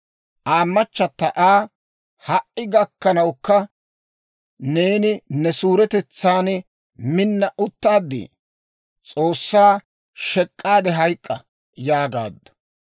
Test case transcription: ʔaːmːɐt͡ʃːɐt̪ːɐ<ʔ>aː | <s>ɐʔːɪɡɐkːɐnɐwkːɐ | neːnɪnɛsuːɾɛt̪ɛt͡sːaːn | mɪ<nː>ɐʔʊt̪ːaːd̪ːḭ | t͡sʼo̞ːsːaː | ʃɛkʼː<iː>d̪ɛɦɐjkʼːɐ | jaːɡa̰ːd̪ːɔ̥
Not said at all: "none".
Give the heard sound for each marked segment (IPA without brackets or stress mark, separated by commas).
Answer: ʔ, h, nː, aː